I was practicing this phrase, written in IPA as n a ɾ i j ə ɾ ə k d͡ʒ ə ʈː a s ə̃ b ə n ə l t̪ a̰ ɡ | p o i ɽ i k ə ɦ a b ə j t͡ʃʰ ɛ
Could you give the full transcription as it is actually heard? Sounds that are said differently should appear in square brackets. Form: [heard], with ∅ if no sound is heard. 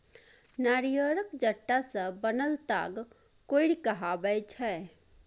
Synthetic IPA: n a ɾ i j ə ɾ ə k d͡ʒ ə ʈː a s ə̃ b ə n ə l t̪ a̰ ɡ | [k] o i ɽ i k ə ɦ a b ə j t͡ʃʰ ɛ